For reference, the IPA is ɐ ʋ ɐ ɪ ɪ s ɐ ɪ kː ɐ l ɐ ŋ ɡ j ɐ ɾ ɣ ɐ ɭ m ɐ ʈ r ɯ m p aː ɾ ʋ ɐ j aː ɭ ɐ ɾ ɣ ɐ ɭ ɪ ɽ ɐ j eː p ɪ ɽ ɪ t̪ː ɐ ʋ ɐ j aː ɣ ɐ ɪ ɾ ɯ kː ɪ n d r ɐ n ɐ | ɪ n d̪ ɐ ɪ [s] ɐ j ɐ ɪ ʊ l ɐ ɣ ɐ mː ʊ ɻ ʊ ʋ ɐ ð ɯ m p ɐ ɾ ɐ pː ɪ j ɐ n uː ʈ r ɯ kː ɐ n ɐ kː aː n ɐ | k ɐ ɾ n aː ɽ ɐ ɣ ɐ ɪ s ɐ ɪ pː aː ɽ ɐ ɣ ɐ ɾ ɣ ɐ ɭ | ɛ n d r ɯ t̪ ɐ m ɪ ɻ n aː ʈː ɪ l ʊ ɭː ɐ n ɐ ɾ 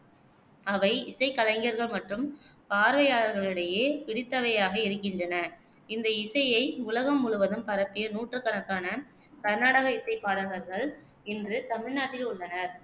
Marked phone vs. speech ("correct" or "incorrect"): correct